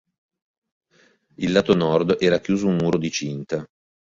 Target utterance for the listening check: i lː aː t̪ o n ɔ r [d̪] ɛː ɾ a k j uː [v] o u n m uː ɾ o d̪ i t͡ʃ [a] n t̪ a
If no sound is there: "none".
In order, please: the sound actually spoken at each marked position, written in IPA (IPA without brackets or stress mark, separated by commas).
d̪, z, i